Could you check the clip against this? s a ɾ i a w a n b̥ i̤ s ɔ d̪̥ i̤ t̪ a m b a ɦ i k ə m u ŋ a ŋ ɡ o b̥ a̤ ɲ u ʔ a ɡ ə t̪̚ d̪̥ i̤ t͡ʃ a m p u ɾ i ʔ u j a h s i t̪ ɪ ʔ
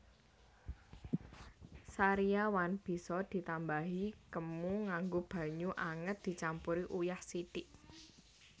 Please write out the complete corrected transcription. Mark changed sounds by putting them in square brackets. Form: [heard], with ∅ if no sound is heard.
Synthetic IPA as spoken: s a ɾ i a w a n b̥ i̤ s ɔ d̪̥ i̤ t̪ a m b a ɦ i k ə m u ŋ a ŋ ɡ o b̥ a̤ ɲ u ʔ a [ŋ] ə t̪̚ d̪̥ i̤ t͡ʃ a m p u ɾ i ʔ u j a h s i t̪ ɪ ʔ

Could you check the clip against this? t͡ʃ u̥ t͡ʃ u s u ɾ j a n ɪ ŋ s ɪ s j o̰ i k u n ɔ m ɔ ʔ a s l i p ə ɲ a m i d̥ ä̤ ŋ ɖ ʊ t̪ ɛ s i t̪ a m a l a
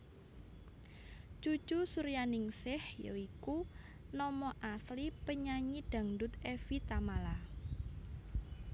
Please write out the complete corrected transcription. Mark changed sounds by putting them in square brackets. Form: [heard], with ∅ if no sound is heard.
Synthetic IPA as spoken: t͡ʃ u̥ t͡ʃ u s u ɾ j a n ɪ ŋ s ɪ [h] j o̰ i k u n ɔ m ɔ ʔ a s l i p ə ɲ a [ɲ] i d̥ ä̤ ŋ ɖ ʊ t̪ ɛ [f] i t̪ a m a l a

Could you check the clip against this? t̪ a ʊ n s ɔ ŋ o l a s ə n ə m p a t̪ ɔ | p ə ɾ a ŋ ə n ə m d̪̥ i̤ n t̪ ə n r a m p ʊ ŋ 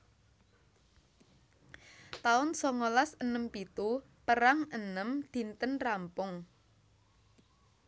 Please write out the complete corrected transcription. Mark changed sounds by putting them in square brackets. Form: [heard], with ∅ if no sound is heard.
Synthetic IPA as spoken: t̪ a ʊ n s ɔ ŋ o l a s ə n ə m p [i] t̪ [u] | p ə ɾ a ŋ ə n ə m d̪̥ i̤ n t̪ ə n r a m p ʊ ŋ

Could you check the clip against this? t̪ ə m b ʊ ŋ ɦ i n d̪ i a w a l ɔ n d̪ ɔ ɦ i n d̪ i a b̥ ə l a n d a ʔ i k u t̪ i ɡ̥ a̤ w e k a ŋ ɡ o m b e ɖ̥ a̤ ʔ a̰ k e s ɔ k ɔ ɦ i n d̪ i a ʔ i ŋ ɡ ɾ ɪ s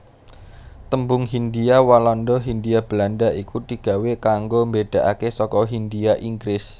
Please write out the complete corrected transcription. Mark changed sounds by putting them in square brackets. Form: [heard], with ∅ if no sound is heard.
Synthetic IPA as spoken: t̪ ə m b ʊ ŋ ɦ i n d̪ i a w a l ɔ n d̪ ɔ ɦ i n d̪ i a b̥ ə l a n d a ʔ i k u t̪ i ɡ̥ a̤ w e k a ŋ ɡ o m b e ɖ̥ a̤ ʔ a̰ k e s ɔ k ɔ ɦ i n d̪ i a ʔ i ŋ ɡ ɾ ɪ s

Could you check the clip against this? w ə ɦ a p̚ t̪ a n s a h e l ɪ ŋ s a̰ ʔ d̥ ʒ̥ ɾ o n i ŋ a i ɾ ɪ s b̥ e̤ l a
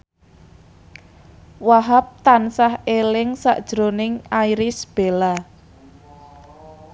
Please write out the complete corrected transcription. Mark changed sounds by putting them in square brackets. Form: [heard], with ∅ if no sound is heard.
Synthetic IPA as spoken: w [a] ɦ a p̚ t̪ a n s a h e l ɪ ŋ s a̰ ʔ d̥ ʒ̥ ɾ o n [ɪ] ŋ a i ɾ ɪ s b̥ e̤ l a

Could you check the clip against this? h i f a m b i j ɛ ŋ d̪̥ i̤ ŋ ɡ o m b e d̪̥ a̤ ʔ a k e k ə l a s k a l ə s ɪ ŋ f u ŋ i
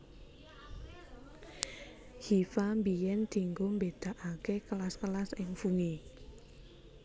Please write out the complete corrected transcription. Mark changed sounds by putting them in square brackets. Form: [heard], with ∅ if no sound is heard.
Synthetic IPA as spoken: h i f a m b i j ɛ [n] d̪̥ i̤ ŋ ɡ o m b e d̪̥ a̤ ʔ a k e k ə l a s k [ə] l [a] s ɪ ŋ f u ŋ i

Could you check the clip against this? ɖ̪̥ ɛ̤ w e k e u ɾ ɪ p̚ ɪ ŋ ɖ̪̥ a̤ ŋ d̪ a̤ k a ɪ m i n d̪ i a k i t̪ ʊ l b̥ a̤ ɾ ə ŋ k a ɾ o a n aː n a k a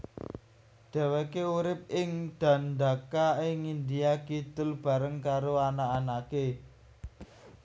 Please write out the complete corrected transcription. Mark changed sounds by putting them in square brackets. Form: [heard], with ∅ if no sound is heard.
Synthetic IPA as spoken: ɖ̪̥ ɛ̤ w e k e u ɾ ɪ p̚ ɪ ŋ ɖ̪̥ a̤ [n] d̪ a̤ k a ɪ [ŋ] i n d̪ i a k i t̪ ʊ l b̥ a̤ ɾ ə ŋ k a ɾ o a n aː n a k [e]

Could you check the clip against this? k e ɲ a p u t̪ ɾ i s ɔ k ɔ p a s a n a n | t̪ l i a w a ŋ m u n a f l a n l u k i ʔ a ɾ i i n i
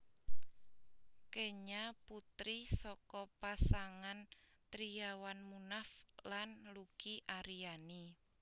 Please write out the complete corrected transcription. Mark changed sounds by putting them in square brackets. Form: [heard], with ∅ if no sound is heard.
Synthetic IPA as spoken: k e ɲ a p u t̪ ɾ i s ɔ k ɔ p a s a [ŋ] a n | t̪ [ɾ] i a w a [n] m u n a f l a n l u k i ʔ a ɾ i [a] n i

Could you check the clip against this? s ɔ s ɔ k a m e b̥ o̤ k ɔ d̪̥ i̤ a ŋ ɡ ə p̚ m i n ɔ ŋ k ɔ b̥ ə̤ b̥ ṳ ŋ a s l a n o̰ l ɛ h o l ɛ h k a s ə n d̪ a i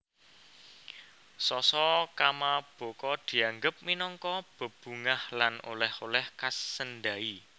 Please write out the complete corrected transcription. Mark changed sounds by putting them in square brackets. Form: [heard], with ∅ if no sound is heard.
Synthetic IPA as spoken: s ɔ s ɔ k a m [a] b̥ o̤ k ɔ d̪̥ i̤ a ŋ ɡ ə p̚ m i n ɔ ŋ k ɔ b̥ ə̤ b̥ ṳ ŋ a [h] l a n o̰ l ɛ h o l ɛ h k a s ə n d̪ a i

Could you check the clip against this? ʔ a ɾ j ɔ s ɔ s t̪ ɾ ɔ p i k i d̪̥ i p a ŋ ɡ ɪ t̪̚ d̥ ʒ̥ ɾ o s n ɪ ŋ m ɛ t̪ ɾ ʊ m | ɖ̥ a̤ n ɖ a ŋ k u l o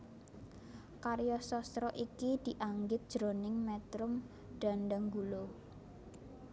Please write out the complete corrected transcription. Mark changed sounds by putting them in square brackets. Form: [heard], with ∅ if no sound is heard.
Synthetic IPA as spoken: [k] a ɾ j ɔ s ɔ s t̪ ɾ ɔ [ʔ] i k i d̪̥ i [ʔ] a ŋ ɡ ɪ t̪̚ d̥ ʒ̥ ɾ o [∅] n ɪ ŋ m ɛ t̪ ɾ ʊ m | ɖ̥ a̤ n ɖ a ŋ [ɡ] u l o

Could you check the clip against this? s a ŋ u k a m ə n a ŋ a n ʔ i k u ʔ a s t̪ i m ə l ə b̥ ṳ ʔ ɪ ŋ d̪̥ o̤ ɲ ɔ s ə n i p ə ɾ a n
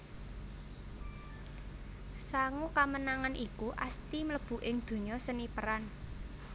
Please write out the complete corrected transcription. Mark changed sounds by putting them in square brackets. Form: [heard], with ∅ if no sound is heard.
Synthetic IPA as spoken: s a ŋ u k a m ə n a ŋ a n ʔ i k u ʔ a s t̪ i m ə l ə b̥ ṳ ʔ ɪ ŋ d̪̥ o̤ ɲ ɔ s ə n i p ə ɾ a n

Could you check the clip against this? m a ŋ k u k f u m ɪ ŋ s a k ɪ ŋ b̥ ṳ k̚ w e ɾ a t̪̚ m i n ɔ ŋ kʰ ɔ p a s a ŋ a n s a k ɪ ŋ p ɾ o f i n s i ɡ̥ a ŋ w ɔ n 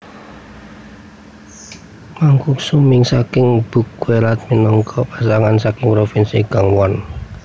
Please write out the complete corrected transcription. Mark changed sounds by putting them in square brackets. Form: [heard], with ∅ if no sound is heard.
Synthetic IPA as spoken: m a ŋ k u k [s] u m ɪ ŋ s a k ɪ ŋ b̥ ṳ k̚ w e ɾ a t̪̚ m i n ɔ ŋ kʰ ɔ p a s a ŋ a n s a k ɪ ŋ p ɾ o f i n s i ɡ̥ a ŋ w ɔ n

